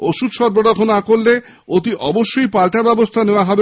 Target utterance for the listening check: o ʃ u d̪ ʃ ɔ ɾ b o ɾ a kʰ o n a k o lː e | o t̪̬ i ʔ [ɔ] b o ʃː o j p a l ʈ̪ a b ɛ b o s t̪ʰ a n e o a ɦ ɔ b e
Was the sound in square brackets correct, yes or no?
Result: yes